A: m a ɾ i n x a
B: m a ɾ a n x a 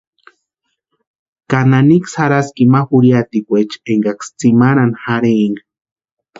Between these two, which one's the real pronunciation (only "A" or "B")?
B